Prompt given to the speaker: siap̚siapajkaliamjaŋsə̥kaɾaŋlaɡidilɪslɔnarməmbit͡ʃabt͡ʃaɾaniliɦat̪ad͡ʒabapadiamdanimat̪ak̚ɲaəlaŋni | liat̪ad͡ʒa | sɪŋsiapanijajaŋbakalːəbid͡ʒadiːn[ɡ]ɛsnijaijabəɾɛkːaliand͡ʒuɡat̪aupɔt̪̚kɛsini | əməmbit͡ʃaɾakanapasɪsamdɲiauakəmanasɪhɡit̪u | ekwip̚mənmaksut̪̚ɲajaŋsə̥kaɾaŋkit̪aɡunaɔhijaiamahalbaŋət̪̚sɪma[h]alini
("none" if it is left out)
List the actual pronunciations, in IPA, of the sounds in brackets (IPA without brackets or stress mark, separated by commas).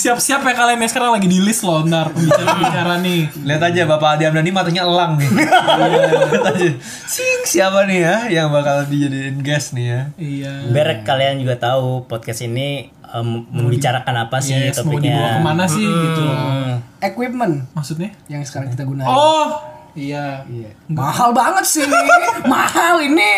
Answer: ɡ, h